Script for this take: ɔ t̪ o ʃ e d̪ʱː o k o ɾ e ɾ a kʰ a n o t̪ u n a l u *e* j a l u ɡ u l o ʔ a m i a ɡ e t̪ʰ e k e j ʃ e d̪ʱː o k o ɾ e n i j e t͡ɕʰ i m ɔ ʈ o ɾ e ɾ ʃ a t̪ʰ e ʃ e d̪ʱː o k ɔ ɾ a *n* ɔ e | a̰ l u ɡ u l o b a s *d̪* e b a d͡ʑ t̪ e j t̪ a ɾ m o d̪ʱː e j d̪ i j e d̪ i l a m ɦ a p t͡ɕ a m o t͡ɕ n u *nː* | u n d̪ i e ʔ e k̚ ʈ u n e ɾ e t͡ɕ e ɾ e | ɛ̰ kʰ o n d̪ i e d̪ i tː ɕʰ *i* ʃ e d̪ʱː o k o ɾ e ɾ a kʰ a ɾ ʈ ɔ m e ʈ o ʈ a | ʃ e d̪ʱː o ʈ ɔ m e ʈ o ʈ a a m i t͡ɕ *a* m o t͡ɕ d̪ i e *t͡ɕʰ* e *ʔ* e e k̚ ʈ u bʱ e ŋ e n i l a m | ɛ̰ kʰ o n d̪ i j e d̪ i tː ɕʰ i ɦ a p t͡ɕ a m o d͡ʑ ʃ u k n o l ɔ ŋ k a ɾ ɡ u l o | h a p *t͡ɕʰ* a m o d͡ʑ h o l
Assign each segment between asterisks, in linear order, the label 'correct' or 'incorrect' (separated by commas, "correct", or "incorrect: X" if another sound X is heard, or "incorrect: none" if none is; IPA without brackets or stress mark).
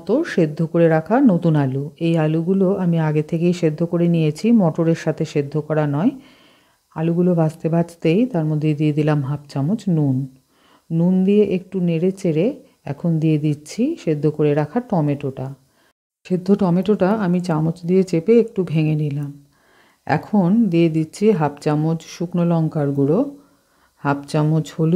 correct, correct, incorrect: t̪, correct, correct, correct, incorrect: t͡ɕ, incorrect: p, incorrect: t͡ɕ